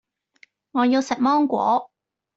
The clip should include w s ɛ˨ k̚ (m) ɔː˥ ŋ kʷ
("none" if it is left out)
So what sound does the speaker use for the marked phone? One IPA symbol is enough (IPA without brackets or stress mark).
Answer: m